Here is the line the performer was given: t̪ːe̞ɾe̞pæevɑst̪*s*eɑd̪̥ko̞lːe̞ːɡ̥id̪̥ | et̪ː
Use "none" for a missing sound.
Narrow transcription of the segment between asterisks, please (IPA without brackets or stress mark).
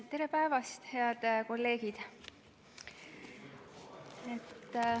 h